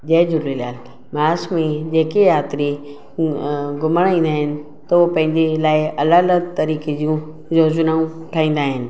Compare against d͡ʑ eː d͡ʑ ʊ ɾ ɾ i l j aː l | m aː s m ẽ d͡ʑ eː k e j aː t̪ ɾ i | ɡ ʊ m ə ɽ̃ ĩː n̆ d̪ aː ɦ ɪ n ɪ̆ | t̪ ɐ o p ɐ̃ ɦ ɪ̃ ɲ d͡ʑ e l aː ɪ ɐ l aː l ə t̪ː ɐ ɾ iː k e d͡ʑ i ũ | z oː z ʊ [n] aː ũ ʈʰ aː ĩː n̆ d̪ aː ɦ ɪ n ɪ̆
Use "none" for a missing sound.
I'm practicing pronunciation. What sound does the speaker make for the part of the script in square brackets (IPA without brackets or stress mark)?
n